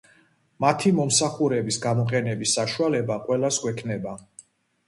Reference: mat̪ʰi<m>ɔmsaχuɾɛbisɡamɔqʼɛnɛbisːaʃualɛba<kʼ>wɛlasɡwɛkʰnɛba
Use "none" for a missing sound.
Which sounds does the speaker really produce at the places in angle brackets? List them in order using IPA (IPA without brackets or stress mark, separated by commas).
m, qʼ